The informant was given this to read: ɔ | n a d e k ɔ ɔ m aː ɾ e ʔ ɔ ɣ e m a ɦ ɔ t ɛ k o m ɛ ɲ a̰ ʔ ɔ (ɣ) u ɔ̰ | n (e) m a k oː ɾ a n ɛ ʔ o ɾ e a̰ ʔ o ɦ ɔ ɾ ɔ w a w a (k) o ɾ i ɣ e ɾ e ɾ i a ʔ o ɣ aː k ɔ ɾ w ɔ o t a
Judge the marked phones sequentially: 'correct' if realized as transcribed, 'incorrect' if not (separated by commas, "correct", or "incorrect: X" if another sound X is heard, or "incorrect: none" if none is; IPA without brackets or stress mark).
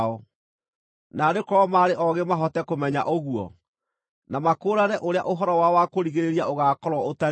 correct, incorrect: a, correct